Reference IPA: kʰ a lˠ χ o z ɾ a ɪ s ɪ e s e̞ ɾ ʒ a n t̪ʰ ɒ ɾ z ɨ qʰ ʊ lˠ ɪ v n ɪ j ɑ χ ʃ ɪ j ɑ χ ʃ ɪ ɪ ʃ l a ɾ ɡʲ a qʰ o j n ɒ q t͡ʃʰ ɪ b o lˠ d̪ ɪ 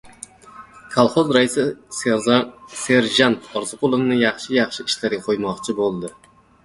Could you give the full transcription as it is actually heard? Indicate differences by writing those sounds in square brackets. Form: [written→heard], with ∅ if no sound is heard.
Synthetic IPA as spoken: kʰ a lˠ χ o z ɾ a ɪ s ɪ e s e̞ ɾ ʒ a n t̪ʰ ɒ ɾ z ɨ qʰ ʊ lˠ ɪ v n ɪ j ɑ χ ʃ ɪ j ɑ χ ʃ ɪ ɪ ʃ l a ɾ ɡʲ a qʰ o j [n→m] ɒ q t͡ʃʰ ɪ b o lˠ d̪ ɪ